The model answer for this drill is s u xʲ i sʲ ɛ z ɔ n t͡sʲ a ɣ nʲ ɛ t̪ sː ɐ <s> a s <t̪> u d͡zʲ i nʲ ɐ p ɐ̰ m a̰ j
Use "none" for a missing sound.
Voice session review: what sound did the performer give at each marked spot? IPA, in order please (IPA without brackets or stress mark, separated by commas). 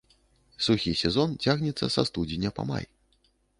s, t̪